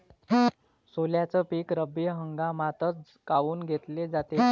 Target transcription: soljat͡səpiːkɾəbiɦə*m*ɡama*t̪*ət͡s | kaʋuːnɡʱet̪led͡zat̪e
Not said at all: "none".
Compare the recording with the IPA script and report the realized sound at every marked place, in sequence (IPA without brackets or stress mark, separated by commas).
ŋ, t̪